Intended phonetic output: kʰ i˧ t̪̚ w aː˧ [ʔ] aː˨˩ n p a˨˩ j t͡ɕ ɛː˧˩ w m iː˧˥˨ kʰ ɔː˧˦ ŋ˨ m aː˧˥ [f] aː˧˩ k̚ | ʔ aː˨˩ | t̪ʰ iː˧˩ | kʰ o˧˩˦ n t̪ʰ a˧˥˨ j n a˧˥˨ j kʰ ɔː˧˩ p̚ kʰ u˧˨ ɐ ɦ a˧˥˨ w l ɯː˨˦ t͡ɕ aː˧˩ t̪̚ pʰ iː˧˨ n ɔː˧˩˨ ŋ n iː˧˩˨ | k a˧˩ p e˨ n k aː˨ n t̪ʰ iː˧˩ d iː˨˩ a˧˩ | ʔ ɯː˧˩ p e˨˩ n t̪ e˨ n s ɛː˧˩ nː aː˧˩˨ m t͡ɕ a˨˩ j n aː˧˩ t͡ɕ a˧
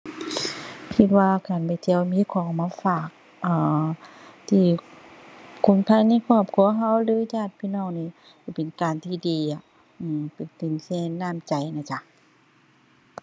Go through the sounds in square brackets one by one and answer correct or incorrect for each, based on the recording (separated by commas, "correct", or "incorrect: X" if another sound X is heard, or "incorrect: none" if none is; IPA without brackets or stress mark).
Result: incorrect: k, correct